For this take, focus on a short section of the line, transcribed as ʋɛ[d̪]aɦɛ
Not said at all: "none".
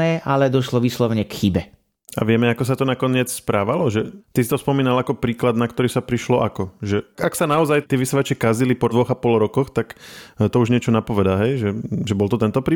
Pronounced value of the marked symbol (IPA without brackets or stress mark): d̪